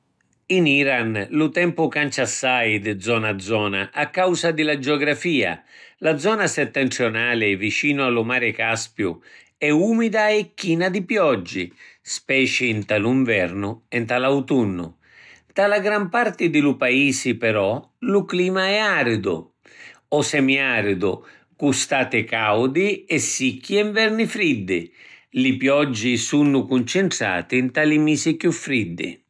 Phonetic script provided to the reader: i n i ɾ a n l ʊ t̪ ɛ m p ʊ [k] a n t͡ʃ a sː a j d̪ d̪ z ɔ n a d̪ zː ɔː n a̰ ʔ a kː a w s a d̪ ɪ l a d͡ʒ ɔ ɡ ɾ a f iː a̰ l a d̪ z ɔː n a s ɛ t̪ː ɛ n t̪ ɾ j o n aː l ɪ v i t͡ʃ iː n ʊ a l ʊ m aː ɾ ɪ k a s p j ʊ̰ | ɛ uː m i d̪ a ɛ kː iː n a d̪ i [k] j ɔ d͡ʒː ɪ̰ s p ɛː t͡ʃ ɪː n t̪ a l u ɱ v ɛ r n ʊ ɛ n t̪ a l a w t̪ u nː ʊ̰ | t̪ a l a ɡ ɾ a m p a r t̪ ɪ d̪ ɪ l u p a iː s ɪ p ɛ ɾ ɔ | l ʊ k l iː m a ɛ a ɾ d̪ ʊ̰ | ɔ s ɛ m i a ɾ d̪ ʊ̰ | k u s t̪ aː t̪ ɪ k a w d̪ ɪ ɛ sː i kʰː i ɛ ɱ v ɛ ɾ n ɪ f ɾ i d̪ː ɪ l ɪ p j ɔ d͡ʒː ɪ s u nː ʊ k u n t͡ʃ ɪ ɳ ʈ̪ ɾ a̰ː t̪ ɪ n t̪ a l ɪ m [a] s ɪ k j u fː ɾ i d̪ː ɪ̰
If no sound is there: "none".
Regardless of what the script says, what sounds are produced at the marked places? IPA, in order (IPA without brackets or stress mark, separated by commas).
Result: k, p, i